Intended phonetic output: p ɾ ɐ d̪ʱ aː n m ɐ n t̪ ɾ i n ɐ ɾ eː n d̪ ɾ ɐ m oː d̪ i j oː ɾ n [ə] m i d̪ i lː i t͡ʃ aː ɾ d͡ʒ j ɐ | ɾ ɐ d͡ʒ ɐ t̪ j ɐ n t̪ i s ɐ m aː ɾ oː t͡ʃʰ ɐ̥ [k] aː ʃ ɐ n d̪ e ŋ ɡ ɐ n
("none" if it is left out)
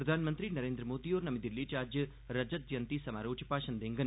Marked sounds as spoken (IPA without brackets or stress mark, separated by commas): ɐ, p